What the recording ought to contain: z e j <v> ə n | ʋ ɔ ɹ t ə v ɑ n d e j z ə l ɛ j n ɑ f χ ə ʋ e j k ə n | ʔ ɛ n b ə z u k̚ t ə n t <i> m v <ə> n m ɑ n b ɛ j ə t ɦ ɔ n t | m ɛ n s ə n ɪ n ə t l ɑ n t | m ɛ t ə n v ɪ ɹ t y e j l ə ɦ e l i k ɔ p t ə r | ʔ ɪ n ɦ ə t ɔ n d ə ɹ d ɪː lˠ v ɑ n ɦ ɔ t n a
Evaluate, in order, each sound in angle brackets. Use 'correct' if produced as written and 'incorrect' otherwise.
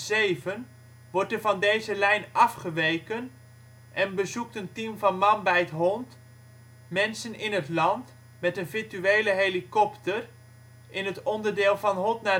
correct, correct, incorrect

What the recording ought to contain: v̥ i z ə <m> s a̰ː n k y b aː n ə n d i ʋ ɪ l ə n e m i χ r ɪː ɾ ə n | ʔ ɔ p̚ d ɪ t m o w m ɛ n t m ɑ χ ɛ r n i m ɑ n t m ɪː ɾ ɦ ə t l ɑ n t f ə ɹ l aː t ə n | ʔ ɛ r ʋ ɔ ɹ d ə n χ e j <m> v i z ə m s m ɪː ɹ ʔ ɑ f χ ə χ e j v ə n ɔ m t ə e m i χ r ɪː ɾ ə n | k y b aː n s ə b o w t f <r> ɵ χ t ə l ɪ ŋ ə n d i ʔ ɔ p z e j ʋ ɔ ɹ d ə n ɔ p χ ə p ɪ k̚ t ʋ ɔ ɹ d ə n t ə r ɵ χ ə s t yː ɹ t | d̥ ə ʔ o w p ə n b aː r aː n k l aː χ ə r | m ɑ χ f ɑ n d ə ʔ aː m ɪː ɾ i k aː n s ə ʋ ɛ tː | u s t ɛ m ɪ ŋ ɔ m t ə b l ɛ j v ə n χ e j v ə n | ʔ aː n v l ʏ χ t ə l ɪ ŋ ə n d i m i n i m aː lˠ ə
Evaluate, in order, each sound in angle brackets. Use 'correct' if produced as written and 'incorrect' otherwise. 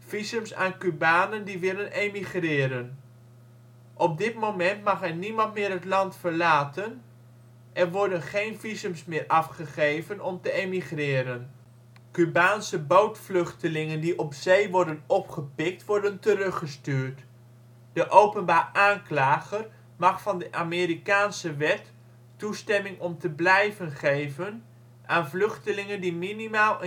correct, incorrect, incorrect

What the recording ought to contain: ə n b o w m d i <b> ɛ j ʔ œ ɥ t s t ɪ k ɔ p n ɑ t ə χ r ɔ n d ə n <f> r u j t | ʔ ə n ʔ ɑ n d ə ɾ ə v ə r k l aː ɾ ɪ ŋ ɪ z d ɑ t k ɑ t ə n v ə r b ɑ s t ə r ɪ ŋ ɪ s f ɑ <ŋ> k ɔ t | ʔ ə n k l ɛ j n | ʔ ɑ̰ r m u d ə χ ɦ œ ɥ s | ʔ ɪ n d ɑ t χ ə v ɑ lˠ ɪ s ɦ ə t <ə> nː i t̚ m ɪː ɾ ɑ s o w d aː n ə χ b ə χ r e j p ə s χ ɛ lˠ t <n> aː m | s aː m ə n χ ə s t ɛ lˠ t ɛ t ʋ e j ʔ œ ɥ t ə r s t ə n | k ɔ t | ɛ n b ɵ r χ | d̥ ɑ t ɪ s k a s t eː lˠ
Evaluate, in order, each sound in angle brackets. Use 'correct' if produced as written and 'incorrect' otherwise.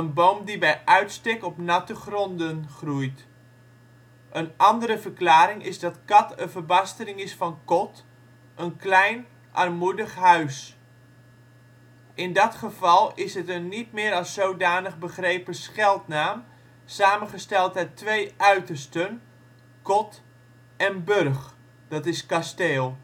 correct, incorrect, incorrect, correct, correct

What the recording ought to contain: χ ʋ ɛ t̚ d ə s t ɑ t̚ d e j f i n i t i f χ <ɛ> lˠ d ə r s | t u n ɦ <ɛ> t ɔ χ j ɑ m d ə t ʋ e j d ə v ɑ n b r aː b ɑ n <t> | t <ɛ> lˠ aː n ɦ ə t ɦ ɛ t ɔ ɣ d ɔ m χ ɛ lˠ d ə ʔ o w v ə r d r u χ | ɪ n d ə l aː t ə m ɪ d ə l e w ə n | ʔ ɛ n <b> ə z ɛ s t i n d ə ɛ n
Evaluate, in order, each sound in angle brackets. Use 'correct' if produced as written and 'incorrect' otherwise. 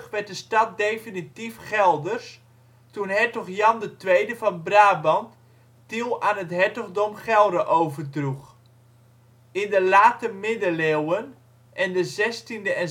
correct, correct, correct, incorrect, incorrect

